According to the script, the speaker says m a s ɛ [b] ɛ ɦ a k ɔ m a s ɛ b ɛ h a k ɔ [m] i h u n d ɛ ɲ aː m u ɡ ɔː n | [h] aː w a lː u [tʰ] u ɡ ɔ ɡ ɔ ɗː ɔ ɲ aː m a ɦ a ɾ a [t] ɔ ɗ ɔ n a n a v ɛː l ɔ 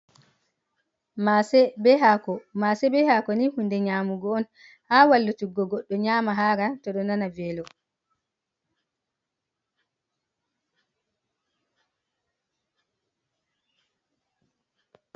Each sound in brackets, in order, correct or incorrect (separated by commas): correct, incorrect, correct, incorrect, correct